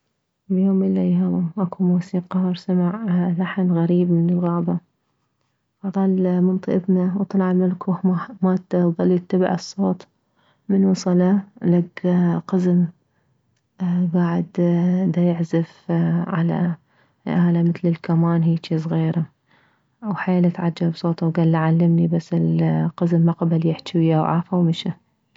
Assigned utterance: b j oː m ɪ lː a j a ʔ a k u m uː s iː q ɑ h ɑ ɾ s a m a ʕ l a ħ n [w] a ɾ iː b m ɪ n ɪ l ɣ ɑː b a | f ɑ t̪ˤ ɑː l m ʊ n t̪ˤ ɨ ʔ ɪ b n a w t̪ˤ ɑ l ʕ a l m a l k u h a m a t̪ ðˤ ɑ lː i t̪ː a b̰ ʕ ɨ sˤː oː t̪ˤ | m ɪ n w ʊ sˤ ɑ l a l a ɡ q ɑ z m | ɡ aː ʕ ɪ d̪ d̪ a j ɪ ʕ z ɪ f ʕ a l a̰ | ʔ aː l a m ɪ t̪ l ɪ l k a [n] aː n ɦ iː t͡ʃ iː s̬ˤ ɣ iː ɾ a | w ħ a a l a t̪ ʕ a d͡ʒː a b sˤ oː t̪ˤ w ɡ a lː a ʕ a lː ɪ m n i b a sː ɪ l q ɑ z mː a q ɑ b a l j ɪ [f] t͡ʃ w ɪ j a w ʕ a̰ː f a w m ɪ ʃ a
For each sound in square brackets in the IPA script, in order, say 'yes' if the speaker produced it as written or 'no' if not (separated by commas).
no, no, no